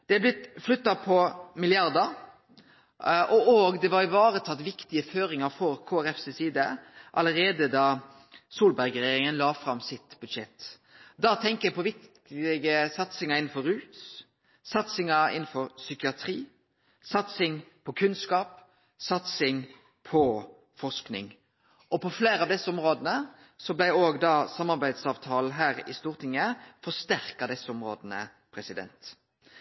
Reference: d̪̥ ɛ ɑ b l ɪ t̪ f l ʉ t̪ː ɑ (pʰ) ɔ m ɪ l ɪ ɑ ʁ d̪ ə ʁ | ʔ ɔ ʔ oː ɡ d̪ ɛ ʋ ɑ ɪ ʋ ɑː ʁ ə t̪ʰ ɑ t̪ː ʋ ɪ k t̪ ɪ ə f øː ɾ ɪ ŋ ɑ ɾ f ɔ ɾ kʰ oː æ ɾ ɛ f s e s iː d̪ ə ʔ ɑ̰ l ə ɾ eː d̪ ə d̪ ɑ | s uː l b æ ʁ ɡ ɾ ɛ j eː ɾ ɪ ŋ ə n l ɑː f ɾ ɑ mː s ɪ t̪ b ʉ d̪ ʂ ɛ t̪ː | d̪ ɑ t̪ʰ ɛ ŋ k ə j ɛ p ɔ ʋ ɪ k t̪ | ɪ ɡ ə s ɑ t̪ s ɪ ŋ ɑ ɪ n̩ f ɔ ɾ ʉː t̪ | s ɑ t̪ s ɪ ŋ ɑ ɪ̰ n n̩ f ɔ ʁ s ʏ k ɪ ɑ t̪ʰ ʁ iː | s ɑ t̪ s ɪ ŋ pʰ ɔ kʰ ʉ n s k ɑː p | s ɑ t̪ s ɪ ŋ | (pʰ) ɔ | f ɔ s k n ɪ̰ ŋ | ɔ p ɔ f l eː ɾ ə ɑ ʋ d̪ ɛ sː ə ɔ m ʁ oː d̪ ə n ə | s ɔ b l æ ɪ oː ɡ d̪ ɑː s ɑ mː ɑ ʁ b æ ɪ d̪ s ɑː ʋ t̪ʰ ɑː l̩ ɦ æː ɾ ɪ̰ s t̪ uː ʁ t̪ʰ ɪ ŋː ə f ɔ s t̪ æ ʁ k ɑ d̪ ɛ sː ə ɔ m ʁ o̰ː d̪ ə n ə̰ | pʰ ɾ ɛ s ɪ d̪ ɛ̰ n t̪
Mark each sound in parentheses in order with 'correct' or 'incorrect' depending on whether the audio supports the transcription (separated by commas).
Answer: correct, correct